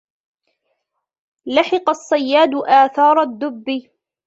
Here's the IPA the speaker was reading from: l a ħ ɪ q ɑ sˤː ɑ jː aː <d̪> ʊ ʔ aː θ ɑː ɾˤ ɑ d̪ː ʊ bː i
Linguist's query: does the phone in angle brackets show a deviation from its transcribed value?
no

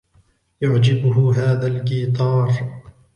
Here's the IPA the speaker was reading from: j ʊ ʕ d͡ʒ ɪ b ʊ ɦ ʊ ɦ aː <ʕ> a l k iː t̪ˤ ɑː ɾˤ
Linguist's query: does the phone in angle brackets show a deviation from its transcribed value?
yes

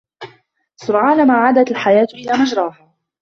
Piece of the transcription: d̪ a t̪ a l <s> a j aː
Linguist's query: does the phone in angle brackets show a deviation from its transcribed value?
yes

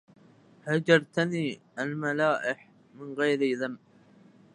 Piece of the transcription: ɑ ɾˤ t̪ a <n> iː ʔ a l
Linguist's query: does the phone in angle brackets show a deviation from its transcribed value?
no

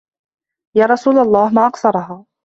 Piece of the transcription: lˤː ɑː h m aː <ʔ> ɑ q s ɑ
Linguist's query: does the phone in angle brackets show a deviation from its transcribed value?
no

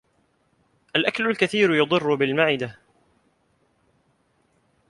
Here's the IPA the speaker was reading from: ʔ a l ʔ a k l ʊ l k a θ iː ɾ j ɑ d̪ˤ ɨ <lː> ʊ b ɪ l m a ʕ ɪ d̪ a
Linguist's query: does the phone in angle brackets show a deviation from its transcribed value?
yes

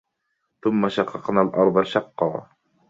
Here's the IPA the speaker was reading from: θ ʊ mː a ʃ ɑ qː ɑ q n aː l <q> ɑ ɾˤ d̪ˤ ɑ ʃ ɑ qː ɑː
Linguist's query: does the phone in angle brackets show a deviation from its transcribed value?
yes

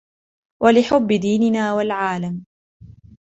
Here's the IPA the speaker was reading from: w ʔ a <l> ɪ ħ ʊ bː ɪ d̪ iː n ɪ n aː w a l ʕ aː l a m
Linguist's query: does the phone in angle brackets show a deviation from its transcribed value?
no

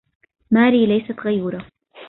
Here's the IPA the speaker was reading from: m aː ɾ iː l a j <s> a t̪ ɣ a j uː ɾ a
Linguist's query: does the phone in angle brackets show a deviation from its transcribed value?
no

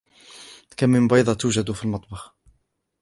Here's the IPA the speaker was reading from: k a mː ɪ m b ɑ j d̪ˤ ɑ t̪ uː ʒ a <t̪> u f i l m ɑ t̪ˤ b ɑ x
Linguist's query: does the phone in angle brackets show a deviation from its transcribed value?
yes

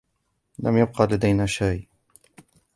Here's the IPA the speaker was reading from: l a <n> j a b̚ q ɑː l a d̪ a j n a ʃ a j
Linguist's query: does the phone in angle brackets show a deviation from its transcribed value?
yes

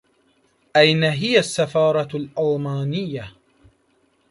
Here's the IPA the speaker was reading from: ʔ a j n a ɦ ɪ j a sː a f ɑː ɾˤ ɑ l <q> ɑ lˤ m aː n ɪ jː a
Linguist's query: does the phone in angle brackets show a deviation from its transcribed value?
yes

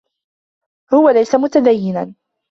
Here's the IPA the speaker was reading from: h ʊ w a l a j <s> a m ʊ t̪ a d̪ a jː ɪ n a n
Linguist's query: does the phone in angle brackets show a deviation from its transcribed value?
no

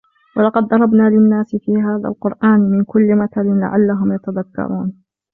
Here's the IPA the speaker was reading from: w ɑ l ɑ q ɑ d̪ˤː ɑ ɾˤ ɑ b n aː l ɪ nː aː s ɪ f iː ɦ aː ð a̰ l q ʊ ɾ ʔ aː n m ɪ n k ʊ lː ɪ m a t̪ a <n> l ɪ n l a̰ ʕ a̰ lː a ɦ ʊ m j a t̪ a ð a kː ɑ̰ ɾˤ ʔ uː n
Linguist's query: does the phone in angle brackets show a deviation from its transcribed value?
yes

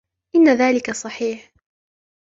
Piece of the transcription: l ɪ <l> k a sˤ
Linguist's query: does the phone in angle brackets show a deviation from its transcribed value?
yes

